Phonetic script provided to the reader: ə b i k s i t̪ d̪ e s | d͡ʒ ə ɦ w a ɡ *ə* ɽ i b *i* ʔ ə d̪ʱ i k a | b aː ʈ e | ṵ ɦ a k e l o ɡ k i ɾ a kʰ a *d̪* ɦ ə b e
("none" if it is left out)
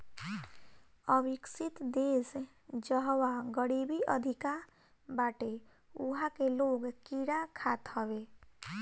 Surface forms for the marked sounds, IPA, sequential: ə, i, t̪

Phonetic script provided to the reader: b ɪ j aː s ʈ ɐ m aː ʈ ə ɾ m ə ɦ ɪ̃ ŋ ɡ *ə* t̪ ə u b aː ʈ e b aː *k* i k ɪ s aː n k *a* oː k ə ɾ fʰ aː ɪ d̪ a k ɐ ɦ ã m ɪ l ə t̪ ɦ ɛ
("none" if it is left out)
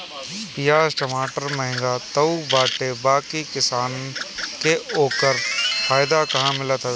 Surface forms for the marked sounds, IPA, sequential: a, k, e

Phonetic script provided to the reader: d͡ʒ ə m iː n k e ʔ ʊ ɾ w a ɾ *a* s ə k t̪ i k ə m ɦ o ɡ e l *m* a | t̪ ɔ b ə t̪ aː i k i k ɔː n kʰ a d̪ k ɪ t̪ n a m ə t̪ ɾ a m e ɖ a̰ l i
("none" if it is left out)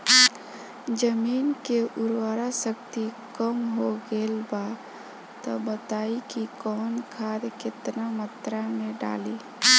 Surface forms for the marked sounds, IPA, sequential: a, b

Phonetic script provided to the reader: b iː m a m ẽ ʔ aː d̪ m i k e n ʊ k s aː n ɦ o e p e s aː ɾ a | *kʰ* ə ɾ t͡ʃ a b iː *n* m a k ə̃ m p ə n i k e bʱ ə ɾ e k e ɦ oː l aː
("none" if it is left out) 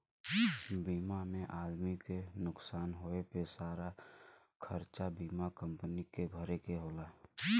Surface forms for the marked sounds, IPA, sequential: kʰ, none

